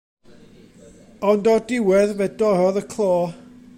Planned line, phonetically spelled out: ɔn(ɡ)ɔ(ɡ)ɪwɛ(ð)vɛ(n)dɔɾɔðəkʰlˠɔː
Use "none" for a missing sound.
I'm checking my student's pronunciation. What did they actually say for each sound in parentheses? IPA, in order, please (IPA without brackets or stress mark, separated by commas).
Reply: d, d, ð, none